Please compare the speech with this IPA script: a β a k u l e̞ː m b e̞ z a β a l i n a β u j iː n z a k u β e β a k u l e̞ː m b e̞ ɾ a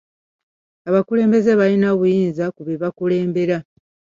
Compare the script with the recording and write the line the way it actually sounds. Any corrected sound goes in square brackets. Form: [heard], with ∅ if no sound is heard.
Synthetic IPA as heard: a β a k u l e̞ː m b e̞ z [e] β a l i n a β u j iː n z a k u β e β a k u l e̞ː m b e̞ ɾ a